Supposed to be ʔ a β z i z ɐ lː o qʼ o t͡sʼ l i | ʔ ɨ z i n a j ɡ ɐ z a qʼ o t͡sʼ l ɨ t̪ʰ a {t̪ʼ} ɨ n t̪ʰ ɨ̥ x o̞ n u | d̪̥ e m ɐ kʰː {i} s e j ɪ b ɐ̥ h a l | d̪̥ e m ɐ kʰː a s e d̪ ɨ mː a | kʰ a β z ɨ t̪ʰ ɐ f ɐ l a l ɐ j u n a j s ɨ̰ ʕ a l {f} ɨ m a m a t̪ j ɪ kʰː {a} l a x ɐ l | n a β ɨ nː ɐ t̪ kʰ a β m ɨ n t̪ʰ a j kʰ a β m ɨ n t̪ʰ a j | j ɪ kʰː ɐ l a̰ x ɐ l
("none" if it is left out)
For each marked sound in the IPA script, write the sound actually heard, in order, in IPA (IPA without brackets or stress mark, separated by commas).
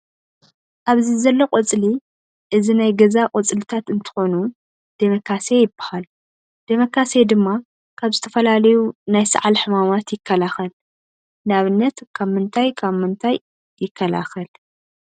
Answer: t̪, a, ħ, ɐ